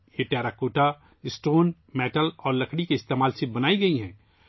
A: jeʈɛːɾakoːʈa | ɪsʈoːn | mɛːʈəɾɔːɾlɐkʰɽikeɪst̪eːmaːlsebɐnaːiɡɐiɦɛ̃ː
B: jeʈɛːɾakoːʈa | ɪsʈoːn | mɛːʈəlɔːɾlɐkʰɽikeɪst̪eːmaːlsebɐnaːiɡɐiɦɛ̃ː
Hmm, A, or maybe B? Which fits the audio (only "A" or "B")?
B